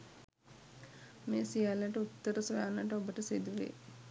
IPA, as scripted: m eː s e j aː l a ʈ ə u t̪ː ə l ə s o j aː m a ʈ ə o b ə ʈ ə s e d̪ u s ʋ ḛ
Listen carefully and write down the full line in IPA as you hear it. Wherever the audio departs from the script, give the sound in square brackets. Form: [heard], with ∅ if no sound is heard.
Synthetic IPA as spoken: m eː s [i] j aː l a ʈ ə u t̪ː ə [ɾ] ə s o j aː [n] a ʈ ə o b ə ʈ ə s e d̪ u [∅] ʋ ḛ

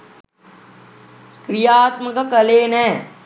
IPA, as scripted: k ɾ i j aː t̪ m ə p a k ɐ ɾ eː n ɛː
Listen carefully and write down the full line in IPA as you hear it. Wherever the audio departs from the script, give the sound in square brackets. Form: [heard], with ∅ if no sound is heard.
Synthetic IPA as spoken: k ɾ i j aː t̪ m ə [k] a k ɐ [l] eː n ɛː

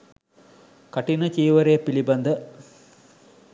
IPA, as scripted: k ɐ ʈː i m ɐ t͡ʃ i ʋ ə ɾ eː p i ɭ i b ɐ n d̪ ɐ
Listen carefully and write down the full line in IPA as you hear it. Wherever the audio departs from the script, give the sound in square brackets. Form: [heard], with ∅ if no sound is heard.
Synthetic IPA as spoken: k ɐ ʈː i [n] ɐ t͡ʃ [iː] ʋ [ɐ] ɾ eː p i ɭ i b ɐ n d̪ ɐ

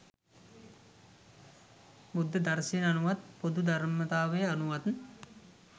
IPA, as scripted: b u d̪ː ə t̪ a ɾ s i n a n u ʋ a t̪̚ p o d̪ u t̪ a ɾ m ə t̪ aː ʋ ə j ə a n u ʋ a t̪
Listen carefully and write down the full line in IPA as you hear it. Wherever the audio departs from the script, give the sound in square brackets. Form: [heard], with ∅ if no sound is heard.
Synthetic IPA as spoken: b u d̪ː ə [d̪] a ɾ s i n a n u ʋ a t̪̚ p o d̪ u [d̪] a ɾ m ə t̪ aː ʋ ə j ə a n u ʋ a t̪

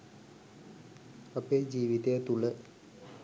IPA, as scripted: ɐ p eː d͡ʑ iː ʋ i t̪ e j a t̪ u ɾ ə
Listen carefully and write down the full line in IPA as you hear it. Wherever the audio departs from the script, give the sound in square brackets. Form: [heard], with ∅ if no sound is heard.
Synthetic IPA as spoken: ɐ p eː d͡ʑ iː ʋ i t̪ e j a t̪ u [l] ə

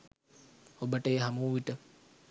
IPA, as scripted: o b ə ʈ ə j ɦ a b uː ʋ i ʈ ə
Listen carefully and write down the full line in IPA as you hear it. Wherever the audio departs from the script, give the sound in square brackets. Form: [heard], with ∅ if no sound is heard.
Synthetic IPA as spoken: o b ə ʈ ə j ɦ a [m] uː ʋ i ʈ ə

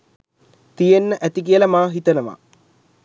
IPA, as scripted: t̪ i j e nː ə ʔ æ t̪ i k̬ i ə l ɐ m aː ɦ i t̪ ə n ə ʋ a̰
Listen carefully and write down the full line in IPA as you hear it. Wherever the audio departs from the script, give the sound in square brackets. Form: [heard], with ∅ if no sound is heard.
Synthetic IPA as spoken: t̪ i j e nː ə ʔ æ t̪ i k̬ i ə l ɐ m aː ɦ i t̪ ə n ə ʋ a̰

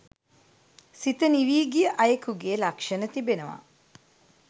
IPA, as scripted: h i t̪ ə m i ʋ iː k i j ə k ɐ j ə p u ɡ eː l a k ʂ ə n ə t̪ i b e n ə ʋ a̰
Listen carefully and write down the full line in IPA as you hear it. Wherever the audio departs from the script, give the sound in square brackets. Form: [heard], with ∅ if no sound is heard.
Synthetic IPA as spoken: [s] i t̪ ə [n] i ʋ iː [ɡ] i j ə [ʔ] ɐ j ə [k] u ɡ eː l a k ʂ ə n ə t̪ i b e n ə ʋ a̰

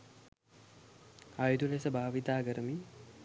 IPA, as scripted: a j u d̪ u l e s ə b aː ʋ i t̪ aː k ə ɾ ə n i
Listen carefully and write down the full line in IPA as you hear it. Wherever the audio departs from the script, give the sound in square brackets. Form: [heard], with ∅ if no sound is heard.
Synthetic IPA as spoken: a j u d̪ u l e s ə b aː ʋ i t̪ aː [ɡ] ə ɾ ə [m] i

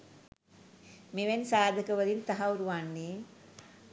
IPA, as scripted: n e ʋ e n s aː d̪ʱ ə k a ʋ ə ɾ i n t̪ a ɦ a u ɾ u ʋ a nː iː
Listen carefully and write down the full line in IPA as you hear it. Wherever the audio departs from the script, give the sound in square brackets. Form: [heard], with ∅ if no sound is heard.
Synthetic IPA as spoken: [m] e ʋ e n s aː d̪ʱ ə k [ə] ʋ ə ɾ i n t̪ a ɦ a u ɾ u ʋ a nː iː

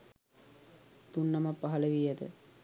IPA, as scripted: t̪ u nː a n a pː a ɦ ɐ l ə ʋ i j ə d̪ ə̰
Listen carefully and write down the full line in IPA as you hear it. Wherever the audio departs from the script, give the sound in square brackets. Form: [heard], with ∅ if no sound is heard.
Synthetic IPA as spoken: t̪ u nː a [m] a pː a ɦ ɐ l ə ʋ i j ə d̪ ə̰

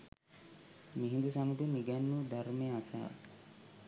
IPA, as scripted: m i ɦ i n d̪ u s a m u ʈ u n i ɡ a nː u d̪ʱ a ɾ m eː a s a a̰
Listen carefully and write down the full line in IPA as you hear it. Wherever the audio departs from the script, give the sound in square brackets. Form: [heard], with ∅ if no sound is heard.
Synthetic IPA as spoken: m i ɦ i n d̪ u s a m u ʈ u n i ɡ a nː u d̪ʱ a ɾ m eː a s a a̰

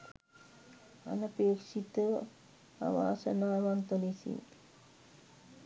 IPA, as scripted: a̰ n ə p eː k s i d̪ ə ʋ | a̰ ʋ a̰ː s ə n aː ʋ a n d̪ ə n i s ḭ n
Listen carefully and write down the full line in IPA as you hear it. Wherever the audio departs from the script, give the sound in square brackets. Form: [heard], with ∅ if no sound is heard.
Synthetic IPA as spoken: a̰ n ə p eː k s i [t̪] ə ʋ | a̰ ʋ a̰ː s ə n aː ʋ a n [t̪] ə n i s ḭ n

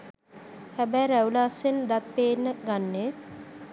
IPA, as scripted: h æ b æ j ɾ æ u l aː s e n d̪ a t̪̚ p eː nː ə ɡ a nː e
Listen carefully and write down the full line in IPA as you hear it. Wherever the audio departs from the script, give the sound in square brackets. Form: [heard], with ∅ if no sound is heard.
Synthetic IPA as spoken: h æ b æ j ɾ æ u l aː s e n d̪ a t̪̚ p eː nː ə ɡ a nː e

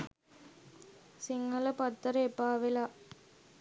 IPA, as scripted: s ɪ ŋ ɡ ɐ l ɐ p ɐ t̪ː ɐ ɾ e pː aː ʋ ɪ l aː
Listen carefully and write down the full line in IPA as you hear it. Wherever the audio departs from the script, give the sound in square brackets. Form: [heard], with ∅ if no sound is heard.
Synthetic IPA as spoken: s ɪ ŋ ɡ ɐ l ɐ p ɐ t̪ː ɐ ɾ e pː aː ʋ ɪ l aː

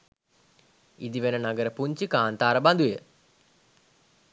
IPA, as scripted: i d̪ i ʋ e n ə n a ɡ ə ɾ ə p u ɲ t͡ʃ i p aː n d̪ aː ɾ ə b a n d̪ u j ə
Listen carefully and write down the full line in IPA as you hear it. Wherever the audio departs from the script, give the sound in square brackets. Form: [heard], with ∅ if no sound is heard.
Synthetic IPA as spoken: i d̪ i ʋ e n ə n a ɡ ə ɾ ə p u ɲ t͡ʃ i [k] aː n [t̪] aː ɾ ə b a n d̪ u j ə

